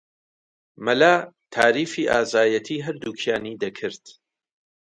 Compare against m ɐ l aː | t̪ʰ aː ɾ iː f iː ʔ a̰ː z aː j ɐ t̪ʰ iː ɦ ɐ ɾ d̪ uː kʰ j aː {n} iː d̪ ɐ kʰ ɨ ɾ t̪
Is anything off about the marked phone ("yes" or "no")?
no